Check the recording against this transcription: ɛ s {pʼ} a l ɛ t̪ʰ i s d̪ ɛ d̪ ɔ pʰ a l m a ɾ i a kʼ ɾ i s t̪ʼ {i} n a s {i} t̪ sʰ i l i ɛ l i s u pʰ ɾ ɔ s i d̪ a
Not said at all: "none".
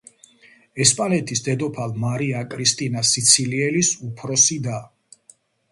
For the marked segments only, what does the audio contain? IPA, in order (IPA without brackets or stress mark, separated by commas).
pʼ, i, i